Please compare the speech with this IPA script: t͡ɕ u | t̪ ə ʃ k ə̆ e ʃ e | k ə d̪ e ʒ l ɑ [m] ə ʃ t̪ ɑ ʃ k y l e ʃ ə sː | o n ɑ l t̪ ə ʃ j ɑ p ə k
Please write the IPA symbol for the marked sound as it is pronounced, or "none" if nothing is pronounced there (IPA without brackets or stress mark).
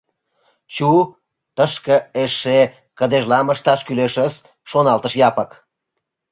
m